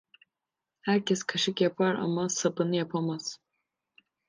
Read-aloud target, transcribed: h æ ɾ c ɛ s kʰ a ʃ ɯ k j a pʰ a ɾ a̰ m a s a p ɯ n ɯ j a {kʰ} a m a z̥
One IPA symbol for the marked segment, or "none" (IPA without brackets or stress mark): pʰ